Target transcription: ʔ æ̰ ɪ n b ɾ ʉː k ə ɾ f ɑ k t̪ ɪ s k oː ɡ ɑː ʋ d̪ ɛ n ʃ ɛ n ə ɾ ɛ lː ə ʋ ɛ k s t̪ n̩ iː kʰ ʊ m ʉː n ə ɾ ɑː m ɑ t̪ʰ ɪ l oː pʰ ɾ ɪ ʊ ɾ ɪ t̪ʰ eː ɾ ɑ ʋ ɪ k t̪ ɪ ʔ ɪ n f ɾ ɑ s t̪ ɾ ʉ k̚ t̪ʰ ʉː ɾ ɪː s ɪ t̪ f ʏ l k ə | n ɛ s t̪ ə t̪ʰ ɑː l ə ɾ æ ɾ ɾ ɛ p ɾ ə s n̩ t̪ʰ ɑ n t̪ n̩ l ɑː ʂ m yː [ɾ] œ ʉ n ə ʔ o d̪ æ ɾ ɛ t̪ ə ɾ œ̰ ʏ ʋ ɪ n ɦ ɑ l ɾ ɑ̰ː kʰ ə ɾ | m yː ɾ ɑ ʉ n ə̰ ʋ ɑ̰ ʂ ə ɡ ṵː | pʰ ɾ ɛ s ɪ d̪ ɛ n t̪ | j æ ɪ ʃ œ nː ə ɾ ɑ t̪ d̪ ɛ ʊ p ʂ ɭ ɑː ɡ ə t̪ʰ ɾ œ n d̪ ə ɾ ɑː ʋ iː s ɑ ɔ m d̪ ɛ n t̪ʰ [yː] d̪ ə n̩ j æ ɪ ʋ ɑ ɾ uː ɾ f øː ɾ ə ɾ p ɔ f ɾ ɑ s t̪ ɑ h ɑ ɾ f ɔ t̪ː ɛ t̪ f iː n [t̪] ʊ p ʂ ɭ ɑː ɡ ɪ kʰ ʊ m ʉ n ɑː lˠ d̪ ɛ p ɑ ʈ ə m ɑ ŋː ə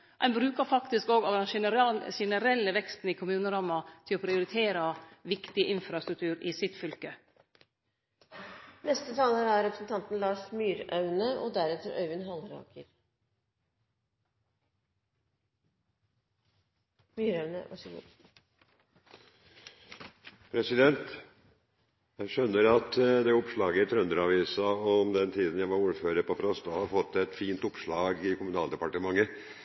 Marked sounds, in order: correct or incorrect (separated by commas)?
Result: correct, incorrect, correct